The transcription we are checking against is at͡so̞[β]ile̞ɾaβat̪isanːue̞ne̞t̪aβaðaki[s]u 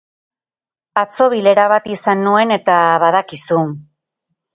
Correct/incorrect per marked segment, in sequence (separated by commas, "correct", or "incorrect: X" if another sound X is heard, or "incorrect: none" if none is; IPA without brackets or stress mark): correct, correct